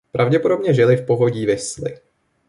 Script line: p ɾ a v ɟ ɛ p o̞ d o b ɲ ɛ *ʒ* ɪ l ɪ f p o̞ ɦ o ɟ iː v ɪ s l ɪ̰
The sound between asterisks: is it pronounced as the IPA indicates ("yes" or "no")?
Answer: yes